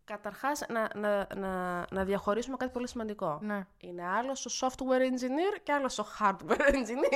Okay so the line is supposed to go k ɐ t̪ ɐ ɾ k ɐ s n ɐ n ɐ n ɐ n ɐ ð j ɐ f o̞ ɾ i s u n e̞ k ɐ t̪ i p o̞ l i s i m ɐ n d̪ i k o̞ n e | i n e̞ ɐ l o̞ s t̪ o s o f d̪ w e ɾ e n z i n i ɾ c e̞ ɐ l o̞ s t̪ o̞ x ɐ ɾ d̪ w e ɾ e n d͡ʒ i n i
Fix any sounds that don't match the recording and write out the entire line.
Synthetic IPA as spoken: k ɐ t̪ ɐ ɾ x ɐ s n ɐ n ɐ n ɐ n ɐ ð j ɐ x o̞ ɾ i s u m e̞ k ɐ t̪ i p o̞ l i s i m ɐ n d̪ i k o̞ n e | i n e̞ ɐ l o̞ s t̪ o s o f t̪ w e ɾ e n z i n i ɾ c e̞ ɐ l o̞ s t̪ o̞ x ɐ ɾ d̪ w e ɾ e n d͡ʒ i n i